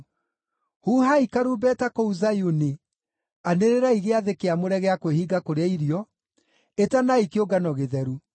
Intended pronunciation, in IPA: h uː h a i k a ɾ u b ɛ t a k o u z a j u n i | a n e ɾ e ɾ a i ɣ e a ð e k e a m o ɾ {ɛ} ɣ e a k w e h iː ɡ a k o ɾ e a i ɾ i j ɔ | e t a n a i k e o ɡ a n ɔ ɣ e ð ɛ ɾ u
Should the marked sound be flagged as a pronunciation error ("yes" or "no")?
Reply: no